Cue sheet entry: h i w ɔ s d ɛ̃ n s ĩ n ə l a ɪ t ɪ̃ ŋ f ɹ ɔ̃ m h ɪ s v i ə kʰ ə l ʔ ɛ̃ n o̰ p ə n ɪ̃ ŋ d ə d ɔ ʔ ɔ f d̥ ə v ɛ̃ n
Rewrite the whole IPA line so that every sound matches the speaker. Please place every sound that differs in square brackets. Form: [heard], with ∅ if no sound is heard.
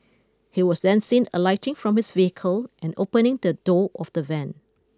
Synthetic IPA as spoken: h i w ɔ s d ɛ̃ n s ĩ n ə l a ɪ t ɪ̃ ŋ f ɹ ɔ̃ m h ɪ s v i ə kʰ ə l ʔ ɛ̃ n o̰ p ə n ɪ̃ ŋ d ə d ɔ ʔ ɔ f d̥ ə v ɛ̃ n